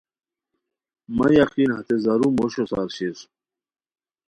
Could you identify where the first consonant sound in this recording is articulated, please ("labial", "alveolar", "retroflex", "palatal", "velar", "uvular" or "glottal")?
labial